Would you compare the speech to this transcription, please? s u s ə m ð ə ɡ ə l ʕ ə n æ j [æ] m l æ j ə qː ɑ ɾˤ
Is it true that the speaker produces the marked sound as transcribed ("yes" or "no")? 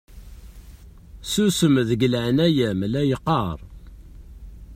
yes